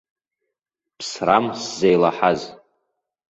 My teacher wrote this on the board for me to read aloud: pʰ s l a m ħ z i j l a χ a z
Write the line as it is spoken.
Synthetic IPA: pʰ s r a m s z e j l a ħ a z